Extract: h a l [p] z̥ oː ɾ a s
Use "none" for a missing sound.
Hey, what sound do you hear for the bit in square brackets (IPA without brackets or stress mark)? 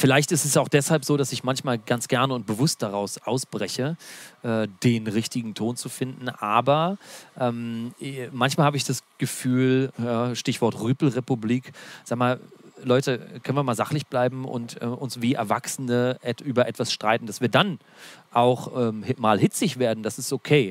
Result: p